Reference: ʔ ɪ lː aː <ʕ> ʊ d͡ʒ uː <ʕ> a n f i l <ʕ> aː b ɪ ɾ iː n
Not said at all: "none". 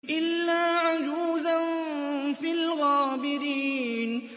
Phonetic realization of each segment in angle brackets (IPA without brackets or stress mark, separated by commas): ʕ, z, ɣ